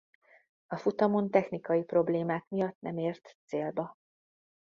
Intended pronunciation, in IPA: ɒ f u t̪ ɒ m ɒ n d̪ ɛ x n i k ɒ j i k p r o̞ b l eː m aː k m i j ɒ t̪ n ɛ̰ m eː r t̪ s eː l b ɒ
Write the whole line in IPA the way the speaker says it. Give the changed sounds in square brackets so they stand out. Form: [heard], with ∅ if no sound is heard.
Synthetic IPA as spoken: ɒ f u t̪ ɒ m [o] n [t̪] ɛ x n i k ɒ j i [∅] p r o̞ b l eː m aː k m i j ɒ t̪ n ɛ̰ m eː r t̪ s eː l b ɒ